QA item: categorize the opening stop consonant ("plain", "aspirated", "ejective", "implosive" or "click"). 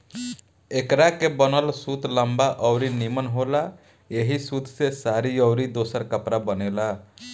plain